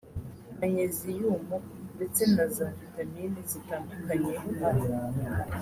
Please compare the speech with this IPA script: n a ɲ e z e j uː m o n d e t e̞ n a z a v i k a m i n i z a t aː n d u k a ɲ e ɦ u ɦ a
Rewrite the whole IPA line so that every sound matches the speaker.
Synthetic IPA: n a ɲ e z i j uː m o n d e t͡s e̞ n a z a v i t a m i n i z i t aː n d u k a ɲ e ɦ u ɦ a